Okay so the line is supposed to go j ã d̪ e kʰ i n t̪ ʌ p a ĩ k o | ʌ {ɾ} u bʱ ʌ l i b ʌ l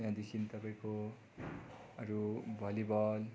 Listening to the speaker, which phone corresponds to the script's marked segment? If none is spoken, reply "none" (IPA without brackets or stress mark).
ɾ